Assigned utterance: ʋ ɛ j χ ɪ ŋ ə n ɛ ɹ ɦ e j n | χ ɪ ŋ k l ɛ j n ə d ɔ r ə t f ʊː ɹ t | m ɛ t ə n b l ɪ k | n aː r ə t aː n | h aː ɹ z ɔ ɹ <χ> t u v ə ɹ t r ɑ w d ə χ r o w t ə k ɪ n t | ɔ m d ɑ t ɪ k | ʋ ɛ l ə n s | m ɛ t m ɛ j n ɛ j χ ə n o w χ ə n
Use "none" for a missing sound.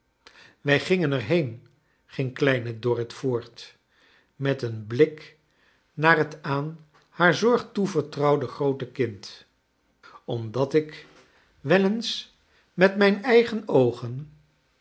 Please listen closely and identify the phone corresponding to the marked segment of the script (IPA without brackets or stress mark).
χ